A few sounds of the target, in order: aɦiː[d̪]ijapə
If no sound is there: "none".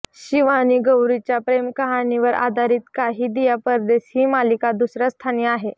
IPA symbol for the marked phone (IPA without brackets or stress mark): d̪